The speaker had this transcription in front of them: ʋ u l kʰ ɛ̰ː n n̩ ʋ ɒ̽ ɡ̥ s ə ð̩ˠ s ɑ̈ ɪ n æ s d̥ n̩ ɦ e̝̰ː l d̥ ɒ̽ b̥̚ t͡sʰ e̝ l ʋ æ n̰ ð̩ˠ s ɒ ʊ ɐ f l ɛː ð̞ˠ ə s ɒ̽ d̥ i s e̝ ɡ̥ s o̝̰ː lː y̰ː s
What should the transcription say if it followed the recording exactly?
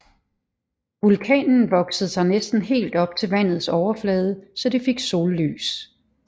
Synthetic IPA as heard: ʋ u l kʰ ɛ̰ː n n̩ ʋ ɒ̽ ɡ̥ s ə ð̩ˠ s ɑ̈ ɪ n e s d̥ n̩ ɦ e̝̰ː l d̥ ɒ̽ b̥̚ t͡sʰ e̝ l ʋ æ n̰ ð̩ˠ s ɒ ʊ ɐ f l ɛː ð̞ˠ ə s ɒ̽ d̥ i f e̝ ɡ̥ s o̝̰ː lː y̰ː s